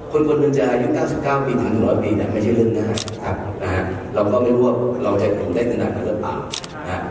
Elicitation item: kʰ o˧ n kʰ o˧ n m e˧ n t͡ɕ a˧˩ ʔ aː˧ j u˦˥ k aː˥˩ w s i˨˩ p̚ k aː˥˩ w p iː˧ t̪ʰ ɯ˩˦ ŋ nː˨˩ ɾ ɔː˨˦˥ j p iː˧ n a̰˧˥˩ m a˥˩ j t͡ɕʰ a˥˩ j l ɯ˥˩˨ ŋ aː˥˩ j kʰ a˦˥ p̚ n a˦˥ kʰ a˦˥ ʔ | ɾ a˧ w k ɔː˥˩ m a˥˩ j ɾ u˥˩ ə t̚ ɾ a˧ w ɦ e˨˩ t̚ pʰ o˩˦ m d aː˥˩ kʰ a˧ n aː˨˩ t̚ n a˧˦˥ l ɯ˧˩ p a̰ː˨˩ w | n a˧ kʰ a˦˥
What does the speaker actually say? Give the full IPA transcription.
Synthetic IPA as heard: kʰ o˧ n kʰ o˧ n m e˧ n t͡ɕ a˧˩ ʔ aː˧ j u˦˥ k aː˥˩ w s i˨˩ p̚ k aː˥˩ w p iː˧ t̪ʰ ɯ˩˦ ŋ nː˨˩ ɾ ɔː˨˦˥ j p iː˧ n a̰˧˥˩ m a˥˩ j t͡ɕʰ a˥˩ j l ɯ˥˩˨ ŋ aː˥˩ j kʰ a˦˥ p̚ n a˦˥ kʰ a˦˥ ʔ | ɾ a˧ w k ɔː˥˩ m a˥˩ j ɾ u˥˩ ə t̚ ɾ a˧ w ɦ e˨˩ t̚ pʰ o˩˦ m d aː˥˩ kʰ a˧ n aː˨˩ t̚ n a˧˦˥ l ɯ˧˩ p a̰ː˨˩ w | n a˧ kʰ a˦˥

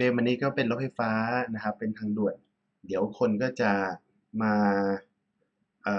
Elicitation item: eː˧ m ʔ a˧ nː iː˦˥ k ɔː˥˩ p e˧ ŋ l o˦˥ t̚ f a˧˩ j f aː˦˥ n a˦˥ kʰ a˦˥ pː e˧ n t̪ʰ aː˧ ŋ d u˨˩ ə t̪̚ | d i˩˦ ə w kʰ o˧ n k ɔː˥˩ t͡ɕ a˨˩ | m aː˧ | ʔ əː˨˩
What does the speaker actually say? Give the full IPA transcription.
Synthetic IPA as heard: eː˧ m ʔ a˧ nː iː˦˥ k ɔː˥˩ p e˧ n l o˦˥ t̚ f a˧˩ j f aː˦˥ n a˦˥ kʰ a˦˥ pː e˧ n t̪ʰ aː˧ ŋ d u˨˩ ə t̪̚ | d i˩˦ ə w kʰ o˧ n k ɔː˥˩ t͡ɕ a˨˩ | m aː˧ | ʔ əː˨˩

